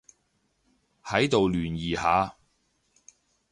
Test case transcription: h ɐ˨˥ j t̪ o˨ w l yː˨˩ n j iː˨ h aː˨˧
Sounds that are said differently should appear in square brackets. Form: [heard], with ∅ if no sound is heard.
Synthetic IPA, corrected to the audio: h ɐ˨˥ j t̪ o˨ w l yː˨˩ n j iː˨ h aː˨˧